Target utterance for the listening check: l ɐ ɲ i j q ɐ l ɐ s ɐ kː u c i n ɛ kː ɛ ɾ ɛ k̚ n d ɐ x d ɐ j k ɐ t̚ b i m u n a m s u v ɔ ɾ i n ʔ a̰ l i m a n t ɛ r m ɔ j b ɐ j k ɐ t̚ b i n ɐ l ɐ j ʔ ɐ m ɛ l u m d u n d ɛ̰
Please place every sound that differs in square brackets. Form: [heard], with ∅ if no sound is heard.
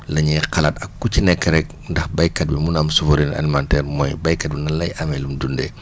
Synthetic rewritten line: l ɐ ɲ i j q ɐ l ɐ [t] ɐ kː u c i n ɛ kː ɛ ɾ ɛ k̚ n d ɐ x [b] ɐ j k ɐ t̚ b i m u n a m s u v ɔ ɾ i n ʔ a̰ l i m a n t ɛ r m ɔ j b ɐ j k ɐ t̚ b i n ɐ l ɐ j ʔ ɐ m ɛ l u m d u n d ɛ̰